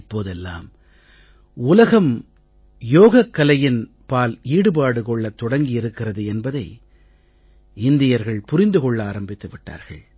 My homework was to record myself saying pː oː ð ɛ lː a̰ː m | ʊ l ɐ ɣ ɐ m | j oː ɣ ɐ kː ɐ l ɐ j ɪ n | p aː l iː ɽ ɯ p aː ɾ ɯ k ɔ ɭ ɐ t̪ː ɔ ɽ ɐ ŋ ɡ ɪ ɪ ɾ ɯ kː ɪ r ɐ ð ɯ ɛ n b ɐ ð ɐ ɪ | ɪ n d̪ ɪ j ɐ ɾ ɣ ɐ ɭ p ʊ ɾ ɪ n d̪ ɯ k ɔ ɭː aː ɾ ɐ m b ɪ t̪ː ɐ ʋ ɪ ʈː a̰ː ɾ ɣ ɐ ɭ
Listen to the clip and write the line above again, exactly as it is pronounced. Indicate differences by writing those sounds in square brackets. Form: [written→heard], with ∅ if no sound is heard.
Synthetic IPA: pː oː ð ɛ lː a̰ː m | ʊ l ɐ ɣ ɐ m | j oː ɣ ɐ kː ɐ l ɐ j ɪ n | p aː l iː ɽ ɯ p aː [ɾ→ɽ] ɯ k ɔ [ɭ→ɭː] ɐ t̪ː ɔ ɽ ɐ ŋ ɡ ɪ ɪ ɾ ɯ kː ɪ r ɐ ð ɯ ɛ n b ɐ ð ɐ ɪ | ɪ n d̪ ɪ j ɐ ɾ ɣ ɐ ɭ p ʊ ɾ ɪ n d̪ ɯ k ɔ ɭː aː ɾ ɐ m b ɪ t̪ː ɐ ʋ ɪ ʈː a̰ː ɾ ɣ ɐ ɭ